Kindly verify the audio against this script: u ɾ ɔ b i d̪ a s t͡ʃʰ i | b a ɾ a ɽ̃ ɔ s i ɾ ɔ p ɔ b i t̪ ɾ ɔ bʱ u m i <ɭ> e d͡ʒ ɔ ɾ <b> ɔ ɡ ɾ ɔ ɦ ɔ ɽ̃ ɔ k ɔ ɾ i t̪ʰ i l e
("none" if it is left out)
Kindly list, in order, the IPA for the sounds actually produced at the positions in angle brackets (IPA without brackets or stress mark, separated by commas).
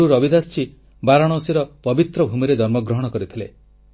ɾ, m